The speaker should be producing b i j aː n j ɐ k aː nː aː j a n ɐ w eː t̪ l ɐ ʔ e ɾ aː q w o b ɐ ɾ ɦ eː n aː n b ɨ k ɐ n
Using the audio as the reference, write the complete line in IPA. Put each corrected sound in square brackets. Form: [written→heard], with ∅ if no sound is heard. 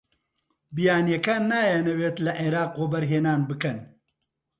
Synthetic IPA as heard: b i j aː n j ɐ k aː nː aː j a n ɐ w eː t̪ l ɐ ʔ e ɾ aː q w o b ɐ ɾ ɦ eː n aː n b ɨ k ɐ n